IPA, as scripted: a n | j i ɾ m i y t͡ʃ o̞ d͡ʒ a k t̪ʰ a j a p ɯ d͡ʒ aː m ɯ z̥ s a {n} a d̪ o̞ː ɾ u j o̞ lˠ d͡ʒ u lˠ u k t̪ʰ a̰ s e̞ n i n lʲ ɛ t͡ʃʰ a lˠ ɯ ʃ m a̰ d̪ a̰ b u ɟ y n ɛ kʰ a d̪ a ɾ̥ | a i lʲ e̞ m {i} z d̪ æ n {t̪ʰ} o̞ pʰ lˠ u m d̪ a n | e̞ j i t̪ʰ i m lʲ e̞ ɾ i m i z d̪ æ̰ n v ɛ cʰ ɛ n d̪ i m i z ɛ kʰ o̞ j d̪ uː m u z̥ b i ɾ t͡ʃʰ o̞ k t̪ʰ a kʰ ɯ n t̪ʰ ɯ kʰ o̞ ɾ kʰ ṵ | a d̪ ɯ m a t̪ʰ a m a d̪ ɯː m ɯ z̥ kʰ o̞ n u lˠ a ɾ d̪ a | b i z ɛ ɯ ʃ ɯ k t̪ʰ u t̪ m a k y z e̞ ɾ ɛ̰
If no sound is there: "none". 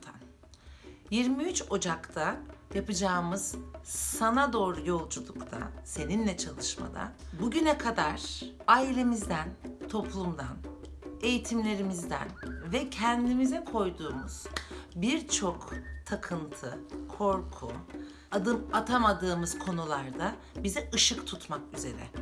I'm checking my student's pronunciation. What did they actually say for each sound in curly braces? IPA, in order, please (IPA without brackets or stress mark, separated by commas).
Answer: n, i, t̪ʰ